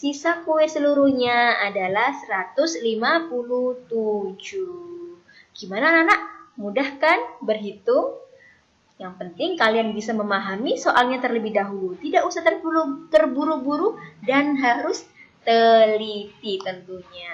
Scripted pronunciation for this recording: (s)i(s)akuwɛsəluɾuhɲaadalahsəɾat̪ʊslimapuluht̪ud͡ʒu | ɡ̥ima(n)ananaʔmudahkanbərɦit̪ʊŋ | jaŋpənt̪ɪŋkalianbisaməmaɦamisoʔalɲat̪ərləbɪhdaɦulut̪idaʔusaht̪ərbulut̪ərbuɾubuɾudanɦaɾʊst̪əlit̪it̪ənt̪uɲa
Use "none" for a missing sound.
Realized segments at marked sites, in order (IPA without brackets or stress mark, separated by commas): s, s, n